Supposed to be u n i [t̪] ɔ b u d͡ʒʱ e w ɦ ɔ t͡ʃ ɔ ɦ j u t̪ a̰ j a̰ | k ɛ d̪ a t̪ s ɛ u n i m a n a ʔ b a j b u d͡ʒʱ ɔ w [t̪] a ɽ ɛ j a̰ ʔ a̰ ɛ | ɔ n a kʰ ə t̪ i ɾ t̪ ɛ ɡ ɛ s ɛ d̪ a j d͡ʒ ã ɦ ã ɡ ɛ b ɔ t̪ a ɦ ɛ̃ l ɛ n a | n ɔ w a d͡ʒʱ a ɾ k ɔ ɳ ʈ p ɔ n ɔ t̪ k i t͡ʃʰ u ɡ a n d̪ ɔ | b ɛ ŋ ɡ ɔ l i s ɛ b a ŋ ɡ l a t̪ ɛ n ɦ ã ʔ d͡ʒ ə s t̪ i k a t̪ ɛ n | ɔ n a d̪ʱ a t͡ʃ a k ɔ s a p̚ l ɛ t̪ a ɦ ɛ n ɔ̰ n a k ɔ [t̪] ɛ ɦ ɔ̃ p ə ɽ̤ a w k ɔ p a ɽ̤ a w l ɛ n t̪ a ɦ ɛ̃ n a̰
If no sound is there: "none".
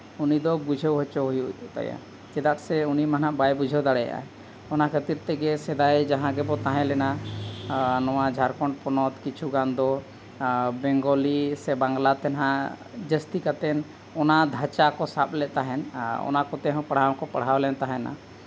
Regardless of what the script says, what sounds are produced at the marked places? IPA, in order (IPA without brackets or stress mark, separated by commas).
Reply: d̪, d̪, t̪